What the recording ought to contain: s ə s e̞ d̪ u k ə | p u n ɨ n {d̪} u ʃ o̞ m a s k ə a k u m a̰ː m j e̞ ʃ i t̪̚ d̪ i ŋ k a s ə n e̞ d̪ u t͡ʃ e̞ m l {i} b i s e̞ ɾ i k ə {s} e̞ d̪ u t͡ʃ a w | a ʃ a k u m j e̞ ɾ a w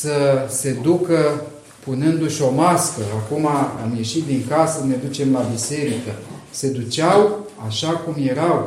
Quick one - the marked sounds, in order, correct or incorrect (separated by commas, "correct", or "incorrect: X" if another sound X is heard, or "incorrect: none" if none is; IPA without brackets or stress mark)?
correct, incorrect: a, correct